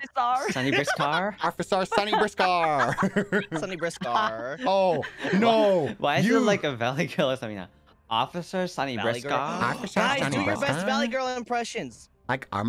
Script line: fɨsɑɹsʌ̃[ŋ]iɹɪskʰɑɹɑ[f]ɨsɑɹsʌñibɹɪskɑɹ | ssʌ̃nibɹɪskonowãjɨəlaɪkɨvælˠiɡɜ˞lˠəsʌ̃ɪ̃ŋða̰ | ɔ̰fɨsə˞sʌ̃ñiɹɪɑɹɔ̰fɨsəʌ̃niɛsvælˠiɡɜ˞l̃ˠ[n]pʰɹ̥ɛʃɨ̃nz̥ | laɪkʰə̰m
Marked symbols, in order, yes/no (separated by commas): no, yes, no